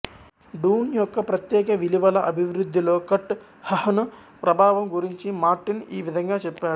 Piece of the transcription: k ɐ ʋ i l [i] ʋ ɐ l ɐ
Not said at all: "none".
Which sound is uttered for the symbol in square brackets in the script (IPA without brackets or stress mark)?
i